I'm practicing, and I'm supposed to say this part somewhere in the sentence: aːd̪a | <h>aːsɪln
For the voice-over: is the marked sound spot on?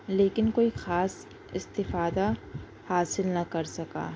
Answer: yes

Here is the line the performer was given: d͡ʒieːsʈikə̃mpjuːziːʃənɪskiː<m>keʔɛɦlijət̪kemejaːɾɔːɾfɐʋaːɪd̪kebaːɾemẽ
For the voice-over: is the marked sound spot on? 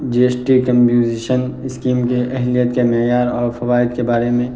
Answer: yes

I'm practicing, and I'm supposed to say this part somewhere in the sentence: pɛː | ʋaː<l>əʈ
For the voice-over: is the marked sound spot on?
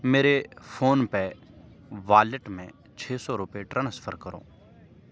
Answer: yes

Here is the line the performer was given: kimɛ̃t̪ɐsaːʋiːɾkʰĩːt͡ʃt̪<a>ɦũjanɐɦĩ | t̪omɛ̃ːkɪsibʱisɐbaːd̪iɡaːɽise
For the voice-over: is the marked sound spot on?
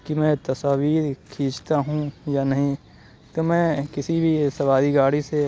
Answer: yes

